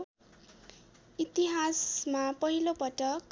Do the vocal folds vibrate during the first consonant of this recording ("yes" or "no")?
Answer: no